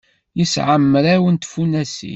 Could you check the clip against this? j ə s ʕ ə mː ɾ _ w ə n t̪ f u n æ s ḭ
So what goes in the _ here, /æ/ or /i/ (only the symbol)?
æ